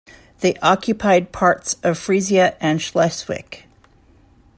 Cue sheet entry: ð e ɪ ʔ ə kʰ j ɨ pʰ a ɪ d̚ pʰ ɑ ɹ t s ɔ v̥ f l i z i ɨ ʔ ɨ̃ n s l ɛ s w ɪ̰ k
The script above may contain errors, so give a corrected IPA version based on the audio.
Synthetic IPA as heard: ð e ɪ ʔ ɑ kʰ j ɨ pʰ a ɪ d̚ pʰ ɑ ɹ t s ʌ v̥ f ɹ i z i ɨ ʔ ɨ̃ n ʃ l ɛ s w ɪ̰ k